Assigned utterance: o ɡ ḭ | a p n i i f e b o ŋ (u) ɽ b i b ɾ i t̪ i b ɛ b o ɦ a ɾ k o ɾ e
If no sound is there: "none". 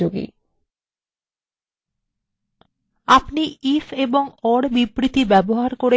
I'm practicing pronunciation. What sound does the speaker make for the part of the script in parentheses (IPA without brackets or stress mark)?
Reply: ɔ